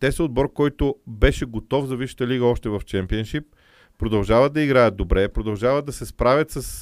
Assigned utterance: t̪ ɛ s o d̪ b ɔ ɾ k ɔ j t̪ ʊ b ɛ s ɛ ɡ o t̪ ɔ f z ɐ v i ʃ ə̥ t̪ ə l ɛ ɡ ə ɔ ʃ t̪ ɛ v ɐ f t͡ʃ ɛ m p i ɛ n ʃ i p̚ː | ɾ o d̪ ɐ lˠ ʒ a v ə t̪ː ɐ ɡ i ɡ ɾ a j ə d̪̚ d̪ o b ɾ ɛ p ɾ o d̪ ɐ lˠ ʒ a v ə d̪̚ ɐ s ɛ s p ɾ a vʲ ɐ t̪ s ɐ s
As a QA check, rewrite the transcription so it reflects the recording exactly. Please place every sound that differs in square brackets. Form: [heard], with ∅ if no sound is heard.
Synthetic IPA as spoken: t̪ ɛ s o d̪ b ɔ ɾ k ɔ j t̪ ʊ b ɛ [ʃ] ɛ ɡ o t̪ ɔ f z ɐ v i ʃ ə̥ t̪ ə l [i] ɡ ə ɔ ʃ t̪ ɛ v ɐ f t͡ʃ ɛ m p i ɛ n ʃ i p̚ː | ɾ o d̪ ɐ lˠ ʒ a v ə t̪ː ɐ [∅] i ɡ ɾ a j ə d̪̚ d̪ o b ɾ ɛ p ɾ o d̪ ɐ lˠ ʒ a v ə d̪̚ ɐ s ɛ s p ɾ a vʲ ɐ t̪ s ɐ s